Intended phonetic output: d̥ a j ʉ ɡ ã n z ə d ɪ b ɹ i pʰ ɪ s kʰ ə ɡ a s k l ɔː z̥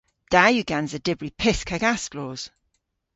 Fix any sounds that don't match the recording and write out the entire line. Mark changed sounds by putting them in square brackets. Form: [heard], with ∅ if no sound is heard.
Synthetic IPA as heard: d̥ a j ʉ ɡ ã n z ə d ɪ b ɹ i pʰ ɪ s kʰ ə ɡ a s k l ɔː z̥